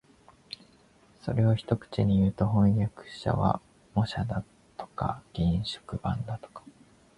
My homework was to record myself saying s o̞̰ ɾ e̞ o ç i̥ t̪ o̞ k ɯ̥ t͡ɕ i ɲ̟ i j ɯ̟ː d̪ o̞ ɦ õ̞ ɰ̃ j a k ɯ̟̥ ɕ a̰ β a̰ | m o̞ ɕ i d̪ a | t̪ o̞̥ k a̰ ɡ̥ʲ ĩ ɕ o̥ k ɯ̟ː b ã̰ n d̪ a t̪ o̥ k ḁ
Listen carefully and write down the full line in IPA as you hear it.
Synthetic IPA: s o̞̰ ɾ e̞ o ç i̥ t̪ o̞ k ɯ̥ t͡ɕ i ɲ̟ i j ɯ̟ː t̪ o̞ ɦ õ̞ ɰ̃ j a k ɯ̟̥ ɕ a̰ β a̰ | m o̞ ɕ a d̪ a | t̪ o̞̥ k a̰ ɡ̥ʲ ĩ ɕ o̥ k ɯ̟ b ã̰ n d̪ a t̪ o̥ k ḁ